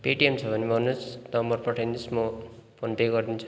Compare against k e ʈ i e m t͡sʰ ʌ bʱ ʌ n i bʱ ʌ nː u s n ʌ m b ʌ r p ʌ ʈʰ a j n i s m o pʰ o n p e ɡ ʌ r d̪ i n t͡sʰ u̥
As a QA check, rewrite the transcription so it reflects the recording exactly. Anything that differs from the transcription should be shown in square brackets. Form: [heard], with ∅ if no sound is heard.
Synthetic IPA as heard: [p] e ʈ i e m t͡sʰ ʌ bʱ ʌ n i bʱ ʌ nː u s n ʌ m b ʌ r p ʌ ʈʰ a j n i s m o pʰ o n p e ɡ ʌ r d̪ i n t͡sʰ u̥

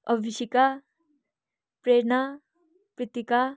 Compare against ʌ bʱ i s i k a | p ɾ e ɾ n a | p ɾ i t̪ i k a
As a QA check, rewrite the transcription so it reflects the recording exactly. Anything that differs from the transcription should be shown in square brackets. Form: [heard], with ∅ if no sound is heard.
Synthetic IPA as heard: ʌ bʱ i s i k a | p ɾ e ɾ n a | p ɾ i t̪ i k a

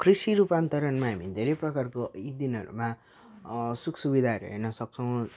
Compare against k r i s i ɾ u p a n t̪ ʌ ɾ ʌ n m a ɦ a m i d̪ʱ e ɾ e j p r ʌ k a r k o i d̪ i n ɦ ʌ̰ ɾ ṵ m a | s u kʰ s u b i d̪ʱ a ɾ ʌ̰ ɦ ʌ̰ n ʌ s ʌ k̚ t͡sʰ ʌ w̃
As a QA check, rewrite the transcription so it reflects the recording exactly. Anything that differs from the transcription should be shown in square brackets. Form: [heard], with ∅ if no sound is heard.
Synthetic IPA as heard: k r i s i ɾ u p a n t̪ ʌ ɾ ʌ n m a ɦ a m i d̪ʱ e ɾ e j p r ʌ k a r k o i d̪ i n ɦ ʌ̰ ɾ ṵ m a | s u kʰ s u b i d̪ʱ a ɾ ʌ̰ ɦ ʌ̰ n ʌ s ʌ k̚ t͡sʰ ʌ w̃

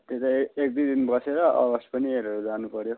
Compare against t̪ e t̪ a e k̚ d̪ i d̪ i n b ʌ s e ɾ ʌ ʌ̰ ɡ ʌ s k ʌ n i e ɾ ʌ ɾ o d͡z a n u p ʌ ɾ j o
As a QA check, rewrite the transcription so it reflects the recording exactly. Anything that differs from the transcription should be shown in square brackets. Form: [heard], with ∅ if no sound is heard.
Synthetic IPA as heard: t̪ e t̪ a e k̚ d̪ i d̪ i n b ʌ s e ɾ ʌ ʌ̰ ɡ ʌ s [p] ʌ n i e ɾ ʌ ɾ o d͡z a n u p ʌ ɾ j o

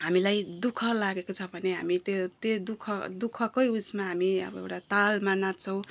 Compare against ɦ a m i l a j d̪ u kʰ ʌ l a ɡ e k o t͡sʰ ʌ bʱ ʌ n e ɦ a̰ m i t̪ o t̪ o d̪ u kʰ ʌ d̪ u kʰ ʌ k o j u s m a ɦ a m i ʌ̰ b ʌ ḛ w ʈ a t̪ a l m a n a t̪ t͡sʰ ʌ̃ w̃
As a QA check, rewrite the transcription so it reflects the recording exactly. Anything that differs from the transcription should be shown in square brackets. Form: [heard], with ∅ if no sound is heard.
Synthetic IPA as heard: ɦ a m i l a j d̪ u kʰ ʌ l a ɡ e k o t͡sʰ ʌ bʱ ʌ n e ɦ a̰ m i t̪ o t̪ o d̪ u kʰ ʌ d̪ u kʰ ʌ k o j u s m a ɦ a m i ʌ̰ b ʌ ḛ w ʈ a t̪ a l m a n a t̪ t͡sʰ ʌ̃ w̃

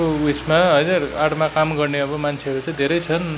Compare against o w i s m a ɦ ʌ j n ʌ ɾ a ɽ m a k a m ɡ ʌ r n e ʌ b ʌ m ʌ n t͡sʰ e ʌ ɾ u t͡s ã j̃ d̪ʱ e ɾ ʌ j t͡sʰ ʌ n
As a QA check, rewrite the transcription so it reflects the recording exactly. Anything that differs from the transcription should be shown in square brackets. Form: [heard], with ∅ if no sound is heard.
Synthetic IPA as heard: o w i s m a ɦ ʌ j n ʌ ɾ a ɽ m a k a m ɡ ʌ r n e ʌ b ʌ m [a] n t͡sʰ e ʌ ɾ u t͡s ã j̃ d̪ʱ e ɾ ʌ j t͡sʰ ʌ n

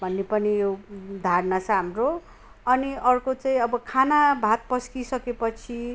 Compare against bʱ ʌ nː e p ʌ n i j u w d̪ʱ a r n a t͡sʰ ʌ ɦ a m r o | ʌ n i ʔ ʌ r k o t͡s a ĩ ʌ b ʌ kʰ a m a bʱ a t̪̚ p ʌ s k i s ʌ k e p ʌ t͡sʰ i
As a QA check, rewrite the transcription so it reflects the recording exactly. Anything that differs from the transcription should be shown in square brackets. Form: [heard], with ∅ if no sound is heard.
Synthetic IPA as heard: bʱ ʌ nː e p ʌ n i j [o] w d̪ʱ a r n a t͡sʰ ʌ ɦ a m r o | ʌ n i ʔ ʌ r k o t͡s a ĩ ʌ b ʌ kʰ a [n] a bʱ a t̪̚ p ʌ s k i s ʌ k e p ʌ t͡sʰ i

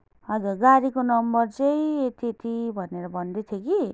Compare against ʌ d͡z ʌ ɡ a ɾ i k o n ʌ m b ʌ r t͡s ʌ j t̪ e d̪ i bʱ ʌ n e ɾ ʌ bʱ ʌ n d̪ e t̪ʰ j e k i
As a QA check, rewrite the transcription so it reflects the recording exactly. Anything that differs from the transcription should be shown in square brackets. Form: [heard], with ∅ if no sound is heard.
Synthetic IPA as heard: ʌ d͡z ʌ ɡ a ɾ i k o n ʌ m b ʌ r t͡s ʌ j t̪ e [t̪] i bʱ ʌ n e ɾ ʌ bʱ ʌ n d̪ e t̪ʰ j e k i

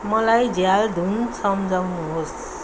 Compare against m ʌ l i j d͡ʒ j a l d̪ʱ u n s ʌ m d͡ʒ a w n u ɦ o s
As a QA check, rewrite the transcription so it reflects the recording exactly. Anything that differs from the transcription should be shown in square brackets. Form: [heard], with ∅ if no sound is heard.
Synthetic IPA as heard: m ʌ l [a] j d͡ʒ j a l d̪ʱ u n s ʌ m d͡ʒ a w n u ɦ o s

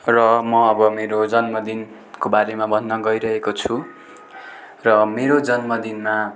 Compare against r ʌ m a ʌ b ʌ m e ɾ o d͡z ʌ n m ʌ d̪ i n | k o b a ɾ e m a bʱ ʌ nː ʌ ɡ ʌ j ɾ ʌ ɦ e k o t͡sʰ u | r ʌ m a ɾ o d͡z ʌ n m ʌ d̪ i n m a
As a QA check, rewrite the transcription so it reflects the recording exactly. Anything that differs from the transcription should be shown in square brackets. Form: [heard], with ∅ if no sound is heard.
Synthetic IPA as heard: r ʌ m [ʌ] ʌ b ʌ m e ɾ o d͡z ʌ n m ʌ d̪ i n | k o b a ɾ e m a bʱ ʌ nː ʌ ɡ ʌ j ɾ ʌ ɦ e k o t͡sʰ u | r ʌ m [e] ɾ o d͡z ʌ n m ʌ d̪ i n m a

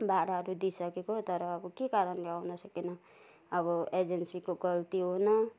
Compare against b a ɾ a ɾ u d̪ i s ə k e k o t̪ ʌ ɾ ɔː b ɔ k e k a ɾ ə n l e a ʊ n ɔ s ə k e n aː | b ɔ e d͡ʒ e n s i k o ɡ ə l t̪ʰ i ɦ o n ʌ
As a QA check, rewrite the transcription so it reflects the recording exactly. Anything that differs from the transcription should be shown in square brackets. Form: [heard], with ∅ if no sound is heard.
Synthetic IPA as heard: b a ɾ a ɾ u d̪ i s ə k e k o t̪ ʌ ɾ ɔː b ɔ k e k a ɾ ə n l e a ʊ n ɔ s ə k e n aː | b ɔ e d͡ʒ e n s i k o ɡ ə l [t̪] i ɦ o n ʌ

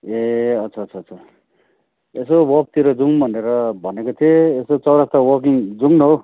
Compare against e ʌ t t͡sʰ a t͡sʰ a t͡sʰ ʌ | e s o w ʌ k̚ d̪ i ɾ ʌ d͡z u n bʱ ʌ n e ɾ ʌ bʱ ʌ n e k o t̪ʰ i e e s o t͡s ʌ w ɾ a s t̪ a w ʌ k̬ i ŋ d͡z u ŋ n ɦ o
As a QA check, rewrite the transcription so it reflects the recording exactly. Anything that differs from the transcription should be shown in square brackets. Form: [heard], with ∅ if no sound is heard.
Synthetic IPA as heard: e ʌ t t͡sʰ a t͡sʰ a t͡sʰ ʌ | e s o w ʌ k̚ [t̪] i ɾ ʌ d͡z u [ŋ] bʱ ʌ n e ɾ ʌ bʱ ʌ n e k o t̪ʰ i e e s o t͡s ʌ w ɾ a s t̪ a w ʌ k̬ i ŋ d͡z u ŋ n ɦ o

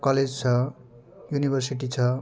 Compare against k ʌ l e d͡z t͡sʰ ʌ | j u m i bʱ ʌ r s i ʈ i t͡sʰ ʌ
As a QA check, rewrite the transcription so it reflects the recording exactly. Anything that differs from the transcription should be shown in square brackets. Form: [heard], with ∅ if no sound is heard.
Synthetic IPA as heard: k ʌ l e d͡z t͡sʰ ʌ | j u [n] i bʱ ʌ r s i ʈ i t͡sʰ ʌ

